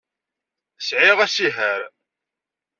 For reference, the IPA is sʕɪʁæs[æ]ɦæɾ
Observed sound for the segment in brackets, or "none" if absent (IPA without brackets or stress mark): i